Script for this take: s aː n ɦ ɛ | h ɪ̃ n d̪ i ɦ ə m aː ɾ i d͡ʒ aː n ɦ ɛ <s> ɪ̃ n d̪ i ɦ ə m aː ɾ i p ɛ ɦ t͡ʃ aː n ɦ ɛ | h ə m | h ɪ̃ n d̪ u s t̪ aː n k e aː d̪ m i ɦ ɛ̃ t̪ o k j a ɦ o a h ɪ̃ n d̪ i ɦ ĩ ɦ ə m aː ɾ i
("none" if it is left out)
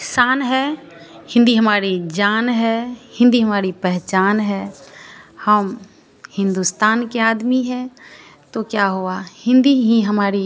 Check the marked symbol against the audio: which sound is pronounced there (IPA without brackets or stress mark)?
h